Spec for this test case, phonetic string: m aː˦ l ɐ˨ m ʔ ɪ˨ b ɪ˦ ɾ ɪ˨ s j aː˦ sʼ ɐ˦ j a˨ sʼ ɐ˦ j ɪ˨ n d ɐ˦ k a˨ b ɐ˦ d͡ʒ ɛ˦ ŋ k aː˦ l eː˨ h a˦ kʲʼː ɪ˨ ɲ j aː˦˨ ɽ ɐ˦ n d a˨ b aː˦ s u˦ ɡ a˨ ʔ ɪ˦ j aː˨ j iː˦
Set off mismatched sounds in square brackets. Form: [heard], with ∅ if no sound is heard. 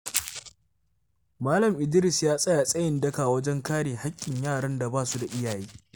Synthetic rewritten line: m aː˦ l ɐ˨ m ʔ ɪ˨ [d] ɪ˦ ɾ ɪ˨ s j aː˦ sʼ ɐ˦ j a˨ sʼ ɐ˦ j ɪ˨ n d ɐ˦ k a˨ [w] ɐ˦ d͡ʒ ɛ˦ ŋ k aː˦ [ɽ] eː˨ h a˦ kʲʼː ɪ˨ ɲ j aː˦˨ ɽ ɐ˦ n d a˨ b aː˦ s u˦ [d] a˨ ʔ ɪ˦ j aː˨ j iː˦